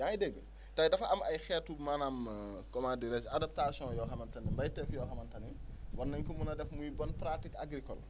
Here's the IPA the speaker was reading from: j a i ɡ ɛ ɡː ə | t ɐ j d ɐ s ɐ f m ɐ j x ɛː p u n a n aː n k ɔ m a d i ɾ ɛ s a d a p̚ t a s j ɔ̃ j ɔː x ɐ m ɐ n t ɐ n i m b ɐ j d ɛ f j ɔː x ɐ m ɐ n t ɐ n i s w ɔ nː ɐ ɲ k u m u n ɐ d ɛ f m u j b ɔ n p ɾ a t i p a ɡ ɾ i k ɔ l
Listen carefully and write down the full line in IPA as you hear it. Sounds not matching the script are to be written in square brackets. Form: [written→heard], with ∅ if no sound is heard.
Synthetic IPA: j a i [ɡ→d] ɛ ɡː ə | t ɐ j d ɐ [s→f] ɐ [f→∅] m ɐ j x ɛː [p→t] u [n→m] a n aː [n→m] k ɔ m a d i ɾ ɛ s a d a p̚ t a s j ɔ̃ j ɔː x ɐ m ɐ n t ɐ n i m b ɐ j [d→t] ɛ f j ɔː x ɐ m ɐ n t ɐ n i [s→∅] w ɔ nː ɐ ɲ k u m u n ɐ d ɛ f m u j b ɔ n p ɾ a t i [p→k] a ɡ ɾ i k ɔ l